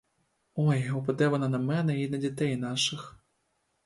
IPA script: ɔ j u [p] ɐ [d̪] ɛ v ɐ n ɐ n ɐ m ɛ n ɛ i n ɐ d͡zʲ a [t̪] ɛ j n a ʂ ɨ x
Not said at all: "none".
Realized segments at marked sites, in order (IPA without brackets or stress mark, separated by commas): p, d̪, t̪